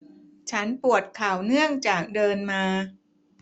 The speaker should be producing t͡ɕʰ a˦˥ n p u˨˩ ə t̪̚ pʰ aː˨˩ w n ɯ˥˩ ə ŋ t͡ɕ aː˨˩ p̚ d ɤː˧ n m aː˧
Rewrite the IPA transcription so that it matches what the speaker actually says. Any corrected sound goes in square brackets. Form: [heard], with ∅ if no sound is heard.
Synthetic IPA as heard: t͡ɕʰ a˦˥ n p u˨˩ ə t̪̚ [kʰ] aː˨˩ w n ɯ˥˩ ə ŋ t͡ɕ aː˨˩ [k̚] d ɤː˧ n m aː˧